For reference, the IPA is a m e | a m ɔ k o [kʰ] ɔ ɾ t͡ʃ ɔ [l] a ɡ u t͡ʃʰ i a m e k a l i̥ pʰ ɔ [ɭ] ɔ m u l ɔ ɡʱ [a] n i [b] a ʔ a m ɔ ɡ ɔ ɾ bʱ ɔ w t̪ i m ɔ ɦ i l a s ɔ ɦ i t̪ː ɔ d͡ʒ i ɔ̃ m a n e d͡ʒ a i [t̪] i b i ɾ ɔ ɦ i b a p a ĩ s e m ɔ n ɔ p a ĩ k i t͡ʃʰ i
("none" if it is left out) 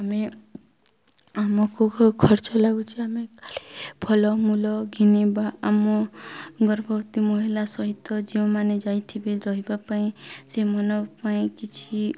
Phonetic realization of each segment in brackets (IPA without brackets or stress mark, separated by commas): kʰ, l, l, i, b, t̪ʰ